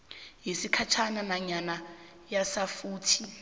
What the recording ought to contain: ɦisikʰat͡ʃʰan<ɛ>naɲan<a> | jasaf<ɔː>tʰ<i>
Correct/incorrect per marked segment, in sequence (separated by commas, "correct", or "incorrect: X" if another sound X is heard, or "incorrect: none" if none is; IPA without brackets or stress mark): incorrect: a, correct, incorrect: uː, correct